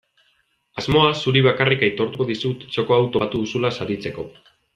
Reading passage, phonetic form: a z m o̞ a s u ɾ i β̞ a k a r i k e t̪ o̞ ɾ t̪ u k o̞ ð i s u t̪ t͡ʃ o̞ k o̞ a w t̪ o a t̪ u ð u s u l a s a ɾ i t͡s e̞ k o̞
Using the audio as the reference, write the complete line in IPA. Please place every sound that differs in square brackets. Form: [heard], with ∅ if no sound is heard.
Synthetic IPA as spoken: a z m o̞ a s u ɾ i β̞ a k a r i k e t̪ o̞ ɾ t̪ u k o̞ ð i s u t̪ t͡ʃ o̞ k o̞ a w t̪ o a t̪ u ð u s u l a s a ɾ i t͡s e̞ k o̞